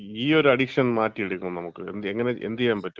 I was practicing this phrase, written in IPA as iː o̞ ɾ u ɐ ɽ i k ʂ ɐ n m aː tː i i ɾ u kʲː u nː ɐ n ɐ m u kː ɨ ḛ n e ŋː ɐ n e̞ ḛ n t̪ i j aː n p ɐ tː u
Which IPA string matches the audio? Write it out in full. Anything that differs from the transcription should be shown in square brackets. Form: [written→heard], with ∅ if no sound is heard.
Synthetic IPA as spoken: iː o̞ ɾ u ɐ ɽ i k ʂ ɐ n m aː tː i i [ɾ→ɽ] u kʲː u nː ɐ n ɐ m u kː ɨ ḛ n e ŋː ɐ n e̞ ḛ n [t̪→d̪] i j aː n p ɐ tː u

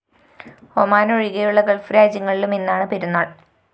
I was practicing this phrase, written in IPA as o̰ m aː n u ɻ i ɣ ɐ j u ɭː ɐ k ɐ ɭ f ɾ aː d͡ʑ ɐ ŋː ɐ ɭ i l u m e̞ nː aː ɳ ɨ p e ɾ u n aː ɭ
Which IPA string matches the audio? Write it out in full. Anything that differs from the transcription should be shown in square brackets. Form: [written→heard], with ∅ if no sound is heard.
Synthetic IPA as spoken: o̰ m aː n [u→o] ɻ i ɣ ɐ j u ɭː ɐ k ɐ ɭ f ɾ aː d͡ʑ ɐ ŋː ɐ ɭ i l u m e̞ nː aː ɳ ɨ p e ɾ u [n→nː] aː ɭ

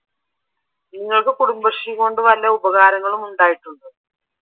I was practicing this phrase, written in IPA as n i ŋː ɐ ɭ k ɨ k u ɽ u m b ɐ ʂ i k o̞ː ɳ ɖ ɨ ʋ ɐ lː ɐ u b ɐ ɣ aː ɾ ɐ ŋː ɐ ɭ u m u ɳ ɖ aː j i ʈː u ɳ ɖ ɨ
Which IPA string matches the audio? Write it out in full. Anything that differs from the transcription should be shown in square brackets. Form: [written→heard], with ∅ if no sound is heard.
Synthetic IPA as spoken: n i ŋː ɐ ɭ k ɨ k u ɽ u m b ɐ ʂ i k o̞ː ɳ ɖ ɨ ʋ ɐ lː ɐ u b ɐ ɣ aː ɾ ɐ ŋː ɐ ɭ u m u ɳ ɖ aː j i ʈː u ɳ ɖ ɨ

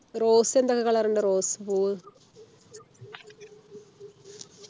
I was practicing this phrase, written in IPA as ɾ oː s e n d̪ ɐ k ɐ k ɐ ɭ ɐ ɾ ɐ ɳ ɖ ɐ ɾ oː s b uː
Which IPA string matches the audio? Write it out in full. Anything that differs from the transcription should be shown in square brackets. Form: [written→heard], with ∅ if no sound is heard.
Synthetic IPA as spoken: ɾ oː s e n d̪ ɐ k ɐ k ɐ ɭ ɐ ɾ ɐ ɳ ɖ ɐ ɾ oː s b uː

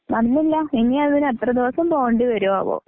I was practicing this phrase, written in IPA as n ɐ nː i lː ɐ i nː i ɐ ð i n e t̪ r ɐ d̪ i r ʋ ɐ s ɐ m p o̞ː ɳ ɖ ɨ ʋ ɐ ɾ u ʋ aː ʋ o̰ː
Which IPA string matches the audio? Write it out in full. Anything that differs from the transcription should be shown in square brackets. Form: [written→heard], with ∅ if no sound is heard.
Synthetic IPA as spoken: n ɐ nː i lː ɐ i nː i ɐ ð i n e t̪ r ɐ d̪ i [r→∅] ʋ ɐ s ɐ m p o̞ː ɳ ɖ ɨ ʋ ɐ ɾ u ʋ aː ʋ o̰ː

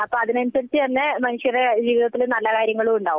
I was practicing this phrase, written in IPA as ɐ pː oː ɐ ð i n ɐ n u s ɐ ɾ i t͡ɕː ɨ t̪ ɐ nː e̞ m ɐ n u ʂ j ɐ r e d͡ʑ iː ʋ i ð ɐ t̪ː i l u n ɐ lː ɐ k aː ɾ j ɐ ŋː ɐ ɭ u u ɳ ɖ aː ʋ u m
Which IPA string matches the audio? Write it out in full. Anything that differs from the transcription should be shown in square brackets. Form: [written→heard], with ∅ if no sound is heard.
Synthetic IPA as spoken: ɐ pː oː ɐ ð i n ɐ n u s ɐ ɾ i t͡ɕː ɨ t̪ ɐ nː e̞ m ɐ n u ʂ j ɐ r e d͡ʑ iː ʋ i ð ɐ t̪ː i l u n ɐ lː ɐ k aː ɾ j ɐ ŋː ɐ ɭ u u ɳ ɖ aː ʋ u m

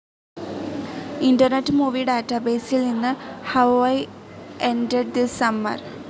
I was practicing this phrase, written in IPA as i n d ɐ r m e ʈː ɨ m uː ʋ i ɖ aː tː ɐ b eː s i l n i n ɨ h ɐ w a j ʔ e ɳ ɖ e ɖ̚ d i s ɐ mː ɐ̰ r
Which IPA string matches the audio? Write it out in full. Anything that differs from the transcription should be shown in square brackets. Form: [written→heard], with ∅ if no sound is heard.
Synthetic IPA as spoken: i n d ɐ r [m→n] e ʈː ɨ m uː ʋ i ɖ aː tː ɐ b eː s i l n i [n→nː] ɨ h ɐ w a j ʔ e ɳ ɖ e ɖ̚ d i s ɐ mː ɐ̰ r

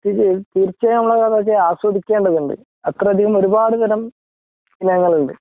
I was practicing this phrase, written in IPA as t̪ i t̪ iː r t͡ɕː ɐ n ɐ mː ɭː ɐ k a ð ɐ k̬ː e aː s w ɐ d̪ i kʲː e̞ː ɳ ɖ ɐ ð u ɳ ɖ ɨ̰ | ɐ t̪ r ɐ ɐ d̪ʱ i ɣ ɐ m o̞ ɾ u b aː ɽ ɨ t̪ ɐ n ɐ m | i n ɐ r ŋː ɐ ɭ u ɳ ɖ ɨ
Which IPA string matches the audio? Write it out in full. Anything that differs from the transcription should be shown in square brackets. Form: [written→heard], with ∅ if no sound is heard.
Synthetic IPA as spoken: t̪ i t̪ iː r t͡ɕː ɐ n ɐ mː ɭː ɐ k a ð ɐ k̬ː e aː s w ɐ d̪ i kʲː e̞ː ɳ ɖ ɐ ð u ɳ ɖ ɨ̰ | ɐ t̪ r ɐ ɐ d̪ʱ i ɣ ɐ m o̞ ɾ u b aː ɽ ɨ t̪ ɐ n ɐ m | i n ɐ [r→∅] ŋː ɐ ɭ u ɳ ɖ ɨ

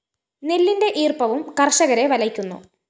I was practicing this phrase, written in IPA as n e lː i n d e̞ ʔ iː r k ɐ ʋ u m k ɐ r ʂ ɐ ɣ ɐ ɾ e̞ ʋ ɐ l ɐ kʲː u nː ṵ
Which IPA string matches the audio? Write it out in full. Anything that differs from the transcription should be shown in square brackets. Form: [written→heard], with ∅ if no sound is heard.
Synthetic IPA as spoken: n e lː i n d e̞ ʔ iː r [k→p] ɐ ʋ u m k ɐ r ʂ ɐ ɣ ɐ ɾ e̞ ʋ ɐ l ɐ kʲː u nː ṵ

